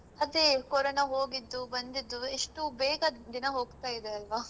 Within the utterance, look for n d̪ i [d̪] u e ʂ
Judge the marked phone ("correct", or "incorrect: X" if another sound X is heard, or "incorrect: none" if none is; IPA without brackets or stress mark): incorrect: d̪ː